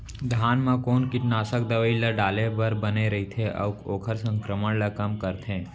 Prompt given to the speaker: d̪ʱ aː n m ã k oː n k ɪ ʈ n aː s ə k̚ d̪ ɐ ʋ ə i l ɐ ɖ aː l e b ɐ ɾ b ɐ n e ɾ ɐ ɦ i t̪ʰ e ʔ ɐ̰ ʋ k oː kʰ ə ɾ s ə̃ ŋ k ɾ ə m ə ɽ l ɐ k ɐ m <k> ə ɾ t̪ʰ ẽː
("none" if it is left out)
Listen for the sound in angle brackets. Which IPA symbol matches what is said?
k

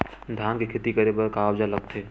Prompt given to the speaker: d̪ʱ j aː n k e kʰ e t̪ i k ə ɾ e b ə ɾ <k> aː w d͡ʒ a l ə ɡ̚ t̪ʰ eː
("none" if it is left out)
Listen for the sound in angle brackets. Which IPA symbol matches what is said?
k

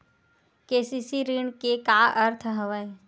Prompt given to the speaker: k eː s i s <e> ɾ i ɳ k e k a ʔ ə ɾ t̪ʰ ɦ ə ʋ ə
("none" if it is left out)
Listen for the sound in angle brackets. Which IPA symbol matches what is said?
i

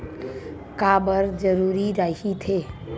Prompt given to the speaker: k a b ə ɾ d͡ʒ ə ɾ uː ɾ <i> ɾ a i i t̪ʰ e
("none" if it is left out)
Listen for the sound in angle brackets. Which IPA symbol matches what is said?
i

